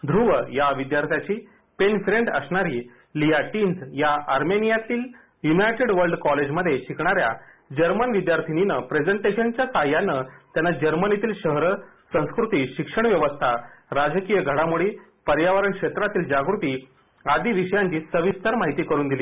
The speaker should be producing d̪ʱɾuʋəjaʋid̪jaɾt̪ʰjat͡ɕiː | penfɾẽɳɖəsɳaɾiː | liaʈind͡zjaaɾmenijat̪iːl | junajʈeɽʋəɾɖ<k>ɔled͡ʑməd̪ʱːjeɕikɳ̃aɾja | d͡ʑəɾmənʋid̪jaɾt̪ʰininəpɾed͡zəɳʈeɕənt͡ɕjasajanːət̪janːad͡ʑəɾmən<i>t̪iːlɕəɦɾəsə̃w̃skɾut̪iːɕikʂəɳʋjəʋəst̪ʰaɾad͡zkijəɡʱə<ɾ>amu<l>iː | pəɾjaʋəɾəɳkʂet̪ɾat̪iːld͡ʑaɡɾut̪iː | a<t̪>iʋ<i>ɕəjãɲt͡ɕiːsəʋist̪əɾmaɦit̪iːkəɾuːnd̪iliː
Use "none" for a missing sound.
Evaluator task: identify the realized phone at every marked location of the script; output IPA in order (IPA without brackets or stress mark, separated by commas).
k, i, ɽ, ɽ, d̪, i